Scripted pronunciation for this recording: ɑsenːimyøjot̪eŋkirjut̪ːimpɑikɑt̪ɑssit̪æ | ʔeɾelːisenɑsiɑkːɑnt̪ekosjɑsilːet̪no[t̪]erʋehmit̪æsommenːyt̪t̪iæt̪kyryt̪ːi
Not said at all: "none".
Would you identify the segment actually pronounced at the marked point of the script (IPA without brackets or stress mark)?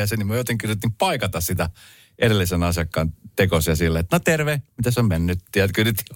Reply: t̪